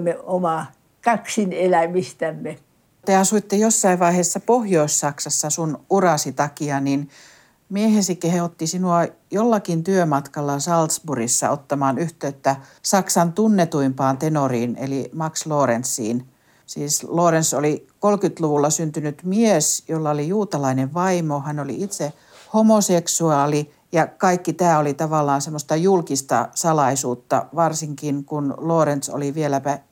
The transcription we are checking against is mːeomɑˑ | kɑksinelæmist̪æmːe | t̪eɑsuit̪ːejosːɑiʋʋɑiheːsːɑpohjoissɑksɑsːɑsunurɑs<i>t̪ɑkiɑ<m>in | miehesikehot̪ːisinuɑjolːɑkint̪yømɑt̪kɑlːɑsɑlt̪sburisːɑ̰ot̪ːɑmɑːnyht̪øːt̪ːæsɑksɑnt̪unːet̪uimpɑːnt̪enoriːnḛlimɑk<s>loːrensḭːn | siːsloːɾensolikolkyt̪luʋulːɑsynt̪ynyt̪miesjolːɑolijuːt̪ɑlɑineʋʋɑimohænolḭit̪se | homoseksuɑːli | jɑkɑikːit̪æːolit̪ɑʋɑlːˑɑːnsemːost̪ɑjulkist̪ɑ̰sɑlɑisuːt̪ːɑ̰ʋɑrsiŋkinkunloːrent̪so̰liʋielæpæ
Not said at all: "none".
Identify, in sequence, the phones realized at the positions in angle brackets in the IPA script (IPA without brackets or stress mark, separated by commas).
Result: i, n, s